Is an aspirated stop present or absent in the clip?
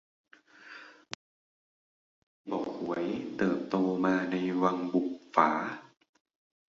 absent